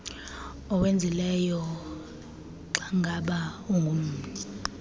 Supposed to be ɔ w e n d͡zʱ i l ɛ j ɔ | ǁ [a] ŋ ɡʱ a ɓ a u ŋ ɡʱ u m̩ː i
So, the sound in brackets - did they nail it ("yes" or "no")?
yes